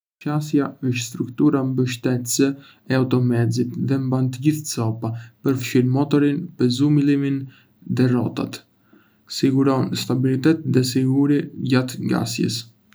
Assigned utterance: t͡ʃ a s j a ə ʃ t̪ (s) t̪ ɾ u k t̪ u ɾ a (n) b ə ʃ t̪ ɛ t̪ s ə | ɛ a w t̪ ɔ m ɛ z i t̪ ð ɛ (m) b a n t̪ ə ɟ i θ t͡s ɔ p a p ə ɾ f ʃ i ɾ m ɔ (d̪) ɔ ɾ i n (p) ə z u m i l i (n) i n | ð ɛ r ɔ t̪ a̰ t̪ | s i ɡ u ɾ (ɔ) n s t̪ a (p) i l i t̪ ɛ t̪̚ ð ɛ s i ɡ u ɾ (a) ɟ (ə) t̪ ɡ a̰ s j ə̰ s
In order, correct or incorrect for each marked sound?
correct, incorrect: m, correct, incorrect: t̪, correct, incorrect: m, correct, incorrect: b, incorrect: i, incorrect: a

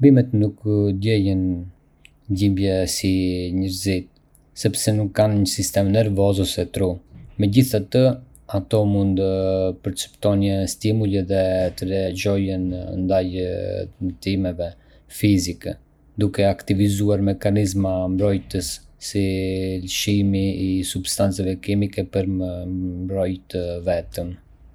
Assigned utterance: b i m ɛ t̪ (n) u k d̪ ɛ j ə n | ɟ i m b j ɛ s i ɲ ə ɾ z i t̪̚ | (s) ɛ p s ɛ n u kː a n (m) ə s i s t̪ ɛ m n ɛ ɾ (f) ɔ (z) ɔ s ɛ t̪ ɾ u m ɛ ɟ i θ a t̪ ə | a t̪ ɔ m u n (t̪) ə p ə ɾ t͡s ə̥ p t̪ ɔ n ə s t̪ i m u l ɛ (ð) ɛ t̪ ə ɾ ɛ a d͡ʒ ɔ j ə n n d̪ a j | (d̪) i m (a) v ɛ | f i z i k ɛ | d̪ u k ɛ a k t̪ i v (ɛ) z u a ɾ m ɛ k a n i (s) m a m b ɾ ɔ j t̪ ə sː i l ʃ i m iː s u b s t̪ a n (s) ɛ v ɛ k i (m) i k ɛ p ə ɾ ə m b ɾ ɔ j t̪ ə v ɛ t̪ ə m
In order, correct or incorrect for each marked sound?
correct, correct, incorrect: ɲ, incorrect: v, correct, incorrect: d̪, correct, incorrect: t̪, incorrect: ɛ, incorrect: i, incorrect: z, incorrect: t͡s, correct

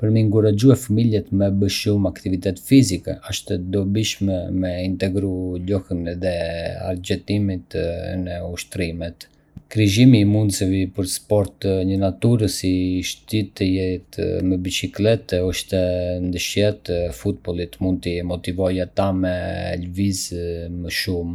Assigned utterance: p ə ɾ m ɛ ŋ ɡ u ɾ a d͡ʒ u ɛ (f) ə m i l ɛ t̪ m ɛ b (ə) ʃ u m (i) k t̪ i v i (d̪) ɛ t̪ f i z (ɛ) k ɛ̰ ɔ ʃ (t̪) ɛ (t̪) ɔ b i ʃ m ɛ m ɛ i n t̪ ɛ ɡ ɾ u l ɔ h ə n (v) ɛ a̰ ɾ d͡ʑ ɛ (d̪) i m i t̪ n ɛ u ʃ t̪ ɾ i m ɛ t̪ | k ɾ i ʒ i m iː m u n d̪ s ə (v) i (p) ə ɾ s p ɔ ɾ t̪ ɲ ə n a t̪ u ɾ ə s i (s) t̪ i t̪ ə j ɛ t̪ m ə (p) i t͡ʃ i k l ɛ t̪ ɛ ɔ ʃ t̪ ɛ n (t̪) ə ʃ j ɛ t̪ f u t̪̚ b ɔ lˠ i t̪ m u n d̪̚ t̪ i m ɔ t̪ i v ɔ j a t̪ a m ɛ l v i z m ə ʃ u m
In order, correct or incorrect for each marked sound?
correct, correct, incorrect: a, incorrect: t̪, incorrect: i, correct, incorrect: d̪, incorrect: ð, incorrect: t̪, correct, correct, incorrect: ʃ, incorrect: b, incorrect: d̪

